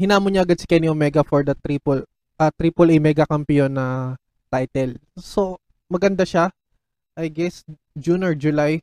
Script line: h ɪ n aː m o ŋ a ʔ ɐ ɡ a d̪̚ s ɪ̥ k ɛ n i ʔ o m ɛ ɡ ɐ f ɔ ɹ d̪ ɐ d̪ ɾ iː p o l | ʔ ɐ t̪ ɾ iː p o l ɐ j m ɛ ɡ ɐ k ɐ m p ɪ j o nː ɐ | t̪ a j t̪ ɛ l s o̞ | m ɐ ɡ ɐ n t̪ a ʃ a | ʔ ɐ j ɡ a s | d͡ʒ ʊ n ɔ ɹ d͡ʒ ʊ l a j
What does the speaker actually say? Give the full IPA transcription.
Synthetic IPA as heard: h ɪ n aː m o ɲ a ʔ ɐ ɡ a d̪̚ s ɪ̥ k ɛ n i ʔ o m ɛ ɡ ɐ f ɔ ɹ d̪ ɐ t̪ ɾ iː p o l | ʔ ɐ t̪ ɾ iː p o l ɐ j m ɛ ɡ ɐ k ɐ m p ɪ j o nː ɐ | t̪ a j t̪ ɛ l s o̞ | m ɐ ɡ ɐ n d̪ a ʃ a | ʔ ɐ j ɡ ɛ s | d͡ʒ u n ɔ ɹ d͡ʒ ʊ l a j